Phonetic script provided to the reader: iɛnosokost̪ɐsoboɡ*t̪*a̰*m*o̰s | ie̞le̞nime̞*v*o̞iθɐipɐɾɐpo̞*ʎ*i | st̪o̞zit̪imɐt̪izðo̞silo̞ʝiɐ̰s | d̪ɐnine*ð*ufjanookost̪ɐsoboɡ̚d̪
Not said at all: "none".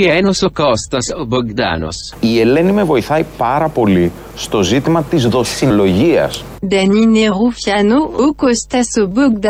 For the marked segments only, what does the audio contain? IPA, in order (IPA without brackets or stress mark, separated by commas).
d̪, n, v, l, ʁ